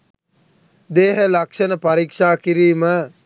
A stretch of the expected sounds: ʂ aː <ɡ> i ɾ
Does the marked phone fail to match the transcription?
yes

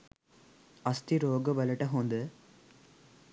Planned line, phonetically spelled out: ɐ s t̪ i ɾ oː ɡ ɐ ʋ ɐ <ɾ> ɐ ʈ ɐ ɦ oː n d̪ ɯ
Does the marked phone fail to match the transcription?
yes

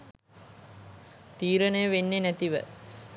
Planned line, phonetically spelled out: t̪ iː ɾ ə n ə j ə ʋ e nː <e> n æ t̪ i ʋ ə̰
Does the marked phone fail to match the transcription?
no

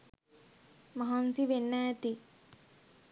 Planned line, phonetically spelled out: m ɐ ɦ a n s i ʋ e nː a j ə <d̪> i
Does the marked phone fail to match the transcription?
yes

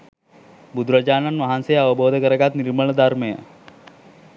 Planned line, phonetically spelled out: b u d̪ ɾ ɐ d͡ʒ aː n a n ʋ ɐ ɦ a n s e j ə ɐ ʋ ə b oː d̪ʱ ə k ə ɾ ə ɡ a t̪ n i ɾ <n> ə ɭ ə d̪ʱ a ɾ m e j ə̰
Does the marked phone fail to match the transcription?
yes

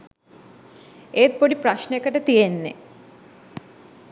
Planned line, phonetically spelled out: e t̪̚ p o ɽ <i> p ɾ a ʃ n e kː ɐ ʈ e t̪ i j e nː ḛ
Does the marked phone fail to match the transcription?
no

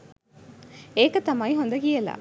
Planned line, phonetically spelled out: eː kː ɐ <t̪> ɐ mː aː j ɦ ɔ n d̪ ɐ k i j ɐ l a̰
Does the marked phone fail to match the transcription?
no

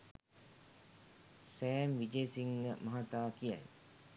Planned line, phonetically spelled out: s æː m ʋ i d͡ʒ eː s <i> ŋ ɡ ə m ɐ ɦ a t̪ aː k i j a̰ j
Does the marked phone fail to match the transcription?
no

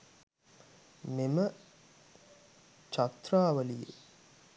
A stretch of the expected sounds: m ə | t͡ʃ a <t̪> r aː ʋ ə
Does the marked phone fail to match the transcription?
no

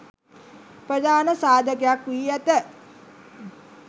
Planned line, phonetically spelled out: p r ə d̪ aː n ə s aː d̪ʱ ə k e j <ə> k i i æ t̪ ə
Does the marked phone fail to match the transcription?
yes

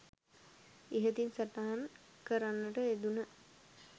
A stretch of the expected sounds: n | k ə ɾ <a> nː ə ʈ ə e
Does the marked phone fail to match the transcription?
no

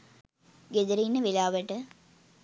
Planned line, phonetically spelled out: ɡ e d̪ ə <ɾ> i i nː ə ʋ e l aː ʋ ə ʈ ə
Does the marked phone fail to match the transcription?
no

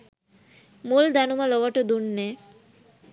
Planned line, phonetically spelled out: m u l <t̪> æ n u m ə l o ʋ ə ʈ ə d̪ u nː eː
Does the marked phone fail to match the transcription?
yes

